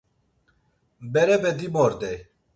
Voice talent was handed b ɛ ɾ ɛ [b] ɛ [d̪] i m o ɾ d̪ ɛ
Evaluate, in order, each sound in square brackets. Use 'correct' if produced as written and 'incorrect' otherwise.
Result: correct, correct

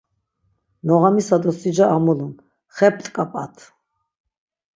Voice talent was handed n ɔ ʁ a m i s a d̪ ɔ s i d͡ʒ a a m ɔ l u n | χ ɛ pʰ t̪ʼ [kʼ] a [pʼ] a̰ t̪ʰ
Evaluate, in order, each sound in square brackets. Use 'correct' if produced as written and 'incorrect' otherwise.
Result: correct, correct

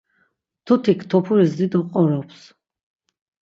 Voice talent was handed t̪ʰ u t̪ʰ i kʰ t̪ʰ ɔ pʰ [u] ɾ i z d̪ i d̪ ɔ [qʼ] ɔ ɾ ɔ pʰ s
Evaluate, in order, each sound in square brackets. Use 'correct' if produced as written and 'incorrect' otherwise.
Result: correct, correct

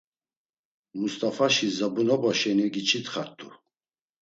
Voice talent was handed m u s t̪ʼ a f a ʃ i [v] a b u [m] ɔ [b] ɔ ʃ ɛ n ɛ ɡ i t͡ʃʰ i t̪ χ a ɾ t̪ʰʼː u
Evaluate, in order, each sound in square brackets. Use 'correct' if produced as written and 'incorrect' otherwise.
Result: incorrect: z, incorrect: n, correct

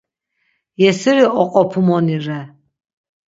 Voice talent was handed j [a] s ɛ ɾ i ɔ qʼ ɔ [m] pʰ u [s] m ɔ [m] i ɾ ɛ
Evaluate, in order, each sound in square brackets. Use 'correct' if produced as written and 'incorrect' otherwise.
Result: incorrect: ɛ, incorrect: none, incorrect: none, incorrect: n

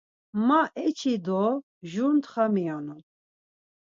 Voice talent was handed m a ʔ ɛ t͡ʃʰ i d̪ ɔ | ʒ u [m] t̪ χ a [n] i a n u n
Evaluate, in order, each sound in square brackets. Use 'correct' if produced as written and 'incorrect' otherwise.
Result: incorrect: n, incorrect: m

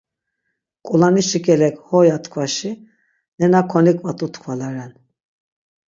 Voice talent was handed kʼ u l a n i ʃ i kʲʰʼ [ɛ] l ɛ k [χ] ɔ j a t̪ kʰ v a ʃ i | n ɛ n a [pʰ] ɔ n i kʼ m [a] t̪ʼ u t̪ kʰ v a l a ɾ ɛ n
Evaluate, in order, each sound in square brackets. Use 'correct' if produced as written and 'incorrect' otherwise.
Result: correct, incorrect: h, incorrect: kʰ, correct

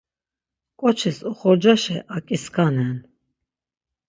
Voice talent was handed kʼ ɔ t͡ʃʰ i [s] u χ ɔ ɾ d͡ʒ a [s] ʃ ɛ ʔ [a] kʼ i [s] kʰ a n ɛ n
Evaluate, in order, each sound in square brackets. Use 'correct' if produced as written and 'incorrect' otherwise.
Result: correct, incorrect: none, correct, correct

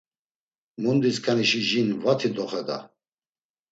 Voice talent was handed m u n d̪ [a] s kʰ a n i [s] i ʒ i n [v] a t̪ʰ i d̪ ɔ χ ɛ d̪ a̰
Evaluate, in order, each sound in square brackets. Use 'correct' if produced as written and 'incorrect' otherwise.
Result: incorrect: i, incorrect: ʃ, correct

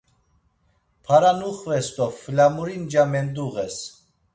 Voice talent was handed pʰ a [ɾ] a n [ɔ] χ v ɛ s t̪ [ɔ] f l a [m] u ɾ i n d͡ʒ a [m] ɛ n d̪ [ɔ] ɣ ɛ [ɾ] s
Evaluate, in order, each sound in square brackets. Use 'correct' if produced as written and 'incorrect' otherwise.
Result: correct, incorrect: u, correct, correct, correct, incorrect: u, incorrect: none

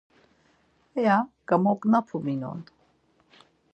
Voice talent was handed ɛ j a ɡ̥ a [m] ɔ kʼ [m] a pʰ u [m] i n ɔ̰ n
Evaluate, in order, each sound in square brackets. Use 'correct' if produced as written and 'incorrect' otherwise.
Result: correct, incorrect: n, correct

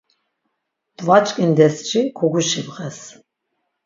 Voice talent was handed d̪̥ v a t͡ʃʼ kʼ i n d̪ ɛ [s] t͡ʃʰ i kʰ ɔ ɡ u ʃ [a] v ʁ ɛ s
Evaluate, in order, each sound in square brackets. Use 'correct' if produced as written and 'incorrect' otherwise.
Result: correct, incorrect: i

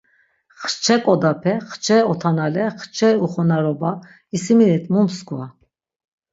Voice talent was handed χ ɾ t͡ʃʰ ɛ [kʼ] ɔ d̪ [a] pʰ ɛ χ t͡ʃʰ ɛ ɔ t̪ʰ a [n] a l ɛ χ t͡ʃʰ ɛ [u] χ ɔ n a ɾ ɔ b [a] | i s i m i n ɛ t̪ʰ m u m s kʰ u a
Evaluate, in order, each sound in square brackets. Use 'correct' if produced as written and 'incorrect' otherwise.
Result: correct, correct, correct, correct, correct

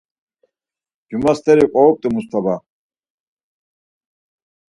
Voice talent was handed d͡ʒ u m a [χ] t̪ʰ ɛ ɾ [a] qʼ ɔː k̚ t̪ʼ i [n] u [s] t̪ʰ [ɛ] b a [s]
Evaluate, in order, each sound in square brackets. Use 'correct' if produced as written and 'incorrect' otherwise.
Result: incorrect: s, incorrect: i, incorrect: m, correct, incorrect: a, incorrect: none

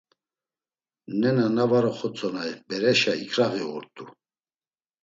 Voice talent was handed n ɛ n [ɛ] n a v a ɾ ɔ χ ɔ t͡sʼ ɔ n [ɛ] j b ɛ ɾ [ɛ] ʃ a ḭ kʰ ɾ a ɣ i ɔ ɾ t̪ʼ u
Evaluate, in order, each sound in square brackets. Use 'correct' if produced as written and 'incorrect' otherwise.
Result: incorrect: a, incorrect: a, correct

